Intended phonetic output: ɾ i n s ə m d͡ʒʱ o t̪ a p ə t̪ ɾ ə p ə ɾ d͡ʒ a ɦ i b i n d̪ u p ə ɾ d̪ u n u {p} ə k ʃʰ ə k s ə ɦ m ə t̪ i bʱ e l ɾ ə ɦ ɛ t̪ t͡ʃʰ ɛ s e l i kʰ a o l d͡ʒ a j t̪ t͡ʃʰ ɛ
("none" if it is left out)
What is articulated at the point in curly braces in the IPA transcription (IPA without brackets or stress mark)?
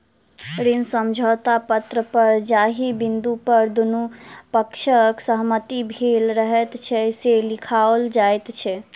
p